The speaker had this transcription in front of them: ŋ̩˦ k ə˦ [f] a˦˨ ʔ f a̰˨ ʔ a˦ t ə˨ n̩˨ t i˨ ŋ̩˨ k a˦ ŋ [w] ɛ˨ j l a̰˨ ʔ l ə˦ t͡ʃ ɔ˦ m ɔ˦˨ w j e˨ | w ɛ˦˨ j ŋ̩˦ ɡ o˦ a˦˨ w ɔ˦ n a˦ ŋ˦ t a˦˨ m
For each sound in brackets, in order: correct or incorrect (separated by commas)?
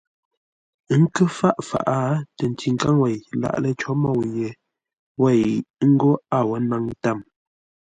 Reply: correct, correct